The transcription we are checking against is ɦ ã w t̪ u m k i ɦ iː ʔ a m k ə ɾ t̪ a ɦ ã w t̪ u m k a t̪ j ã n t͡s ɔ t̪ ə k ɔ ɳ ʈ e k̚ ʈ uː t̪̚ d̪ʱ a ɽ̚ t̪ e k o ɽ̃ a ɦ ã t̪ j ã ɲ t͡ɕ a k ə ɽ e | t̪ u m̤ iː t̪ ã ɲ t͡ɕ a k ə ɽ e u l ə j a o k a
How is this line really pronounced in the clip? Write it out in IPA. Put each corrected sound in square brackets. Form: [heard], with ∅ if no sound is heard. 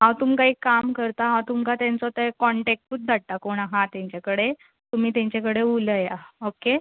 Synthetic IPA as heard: ɦ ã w t̪ u m k [a] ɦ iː [k] a m k ə ɾ t̪ a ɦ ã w t̪ u m k a t̪ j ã n t͡s ɔ t̪ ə k ɔ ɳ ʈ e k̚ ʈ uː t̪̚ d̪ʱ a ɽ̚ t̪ [a] k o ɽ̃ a ɦ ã t̪ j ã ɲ t͡ɕ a k ə ɽ e | t̪ u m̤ iː t̪ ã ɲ t͡ɕ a k ə ɽ e u l ə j a o k [e]

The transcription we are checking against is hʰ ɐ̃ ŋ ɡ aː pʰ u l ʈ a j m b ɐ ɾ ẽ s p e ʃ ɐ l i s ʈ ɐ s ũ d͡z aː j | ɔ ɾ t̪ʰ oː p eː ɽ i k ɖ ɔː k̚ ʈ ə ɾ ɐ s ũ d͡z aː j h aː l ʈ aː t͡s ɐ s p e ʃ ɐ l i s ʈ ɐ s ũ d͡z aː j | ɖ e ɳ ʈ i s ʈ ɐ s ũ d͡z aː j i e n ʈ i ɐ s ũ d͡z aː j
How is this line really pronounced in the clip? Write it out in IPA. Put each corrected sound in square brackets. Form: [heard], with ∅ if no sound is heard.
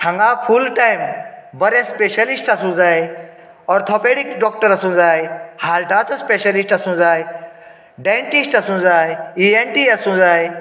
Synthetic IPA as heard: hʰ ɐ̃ ŋ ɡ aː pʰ u l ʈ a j m b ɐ ɾ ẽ s p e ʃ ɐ l i s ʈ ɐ s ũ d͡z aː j | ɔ ɾ t̪ʰ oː p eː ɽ i k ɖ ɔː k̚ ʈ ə ɾ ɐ s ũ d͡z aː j h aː l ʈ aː t͡s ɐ s p e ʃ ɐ l i s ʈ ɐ s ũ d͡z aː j | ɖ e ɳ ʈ i s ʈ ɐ s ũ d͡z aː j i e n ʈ i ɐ s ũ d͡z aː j

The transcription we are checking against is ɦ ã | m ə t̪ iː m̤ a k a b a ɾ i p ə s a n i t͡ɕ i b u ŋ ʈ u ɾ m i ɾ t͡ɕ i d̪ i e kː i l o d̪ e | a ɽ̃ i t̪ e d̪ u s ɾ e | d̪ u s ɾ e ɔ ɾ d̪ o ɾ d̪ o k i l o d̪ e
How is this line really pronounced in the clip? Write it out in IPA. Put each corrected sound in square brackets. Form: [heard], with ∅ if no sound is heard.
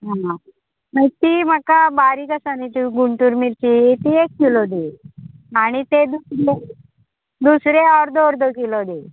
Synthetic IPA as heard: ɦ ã | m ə t̪ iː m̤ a k a b a ɾ i [k] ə s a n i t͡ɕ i [ɡ] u [ɳ] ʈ u ɾ m i ɾ t͡ɕ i [t̪] i e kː i l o d̪ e | a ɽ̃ i t̪ e d̪ u s ɾ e | d̪ u s ɾ e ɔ ɾ d̪ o ɾ d̪ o k i l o d̪ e

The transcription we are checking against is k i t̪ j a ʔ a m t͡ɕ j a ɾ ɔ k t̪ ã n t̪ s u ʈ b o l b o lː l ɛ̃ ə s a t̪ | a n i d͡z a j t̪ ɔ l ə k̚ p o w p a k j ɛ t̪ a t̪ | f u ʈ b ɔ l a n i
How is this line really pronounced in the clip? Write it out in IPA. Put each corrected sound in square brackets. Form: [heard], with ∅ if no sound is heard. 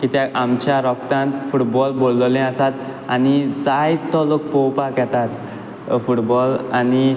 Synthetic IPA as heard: k i t̪ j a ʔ a m t͡ɕ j a ɾ ɔ k t̪ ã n t̪ [f] u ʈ b [ɔ] l b o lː l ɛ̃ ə s a t̪ | a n i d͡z a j t̪ ɔ l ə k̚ p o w p a k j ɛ t̪ a t̪ | f u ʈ b ɔ l a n i

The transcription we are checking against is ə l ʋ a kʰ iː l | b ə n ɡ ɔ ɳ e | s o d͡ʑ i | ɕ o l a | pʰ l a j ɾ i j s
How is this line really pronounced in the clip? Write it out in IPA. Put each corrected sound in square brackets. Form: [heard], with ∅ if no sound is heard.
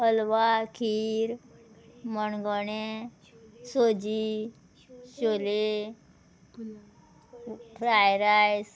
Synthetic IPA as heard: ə l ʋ a kʰ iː [ɾ] | [m] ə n ɡ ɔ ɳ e | s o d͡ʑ i | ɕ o l [e] | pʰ [ɾ] a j ɾ [a] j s

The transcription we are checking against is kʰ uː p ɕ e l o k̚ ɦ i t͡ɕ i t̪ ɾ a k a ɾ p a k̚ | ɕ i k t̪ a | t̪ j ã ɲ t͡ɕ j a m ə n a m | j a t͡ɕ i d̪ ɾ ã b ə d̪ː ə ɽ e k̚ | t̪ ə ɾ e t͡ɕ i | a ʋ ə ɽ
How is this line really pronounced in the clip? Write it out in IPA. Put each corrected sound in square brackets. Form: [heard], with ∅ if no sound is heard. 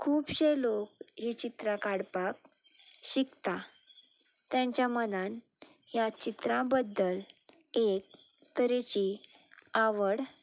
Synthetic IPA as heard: kʰ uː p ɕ e l o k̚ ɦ i t͡ɕ i t̪ ɾ a k a [ɽ] p a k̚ | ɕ i k t̪ a | t̪ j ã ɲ t͡ɕ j a m ə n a [n] | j a t͡ɕ i [t̪] ɾ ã b ə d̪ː ə [l] e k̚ | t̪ ə ɾ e t͡ɕ i | a ʋ ə ɽ

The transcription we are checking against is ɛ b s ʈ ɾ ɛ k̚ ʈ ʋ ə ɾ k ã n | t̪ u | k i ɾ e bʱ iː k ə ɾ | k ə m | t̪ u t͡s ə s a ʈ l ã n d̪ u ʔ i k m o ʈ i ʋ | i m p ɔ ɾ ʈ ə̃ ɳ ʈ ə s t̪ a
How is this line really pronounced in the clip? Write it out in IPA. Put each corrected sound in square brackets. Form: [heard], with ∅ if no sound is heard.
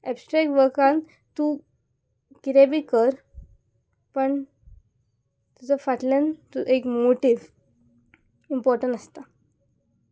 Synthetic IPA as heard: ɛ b s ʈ ɾ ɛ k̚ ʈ ʋ ə ɾ k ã n | t̪ u | k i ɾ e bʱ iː k ə ɾ | [p] ə [ɳ] | t̪ u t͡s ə [f] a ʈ l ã n [t̪] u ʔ [e] k m o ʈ i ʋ | i m p ɔ ɾ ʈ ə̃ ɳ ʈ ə s t̪ a

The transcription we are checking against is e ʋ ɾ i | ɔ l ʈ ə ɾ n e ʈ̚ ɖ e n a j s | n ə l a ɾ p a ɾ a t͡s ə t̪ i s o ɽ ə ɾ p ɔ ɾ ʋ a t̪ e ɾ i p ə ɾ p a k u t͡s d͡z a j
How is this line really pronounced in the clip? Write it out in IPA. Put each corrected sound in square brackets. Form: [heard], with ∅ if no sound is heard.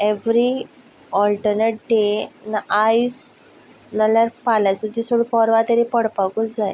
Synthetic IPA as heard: e ʋ ɾ i | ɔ l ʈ ə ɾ n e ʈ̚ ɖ e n a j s | n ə l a ɾ p a [l] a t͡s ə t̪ i s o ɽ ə [∅] p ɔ ɾ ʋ a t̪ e ɾ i p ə [ɽ] p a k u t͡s d͡z a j

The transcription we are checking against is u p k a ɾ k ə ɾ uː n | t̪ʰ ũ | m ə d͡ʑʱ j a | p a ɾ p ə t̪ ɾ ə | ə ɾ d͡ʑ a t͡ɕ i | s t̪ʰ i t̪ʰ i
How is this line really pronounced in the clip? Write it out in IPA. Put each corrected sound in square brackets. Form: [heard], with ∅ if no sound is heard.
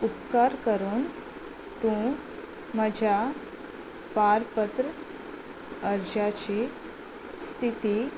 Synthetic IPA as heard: u p k a ɾ k ə ɾ uː n | [t̪] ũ | m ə d͡ʑʱ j a | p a ɾ p ə t̪ ɾ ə | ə ɾ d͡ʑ a t͡ɕ i | s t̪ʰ i [t̪] i

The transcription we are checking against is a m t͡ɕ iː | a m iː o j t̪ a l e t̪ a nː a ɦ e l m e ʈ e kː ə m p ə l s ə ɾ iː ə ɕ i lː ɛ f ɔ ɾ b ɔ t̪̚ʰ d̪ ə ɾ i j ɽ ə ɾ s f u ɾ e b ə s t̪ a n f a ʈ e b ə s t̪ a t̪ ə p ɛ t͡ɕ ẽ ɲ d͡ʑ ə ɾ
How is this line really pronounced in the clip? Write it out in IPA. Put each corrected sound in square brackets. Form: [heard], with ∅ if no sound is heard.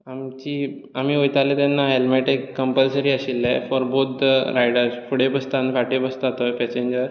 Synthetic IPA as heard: a m t͡ɕ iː | a m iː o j t̪ a l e t̪ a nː a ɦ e l m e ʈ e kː ə m p ə l s ə ɾ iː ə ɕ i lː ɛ f ɔ ɾ b [o] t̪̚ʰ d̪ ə ɾ [a] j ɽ ə ɾ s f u [ɽ] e b ə s t̪ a n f a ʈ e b ə s t̪ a t̪ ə p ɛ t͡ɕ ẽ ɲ d͡ʑ ə ɾ

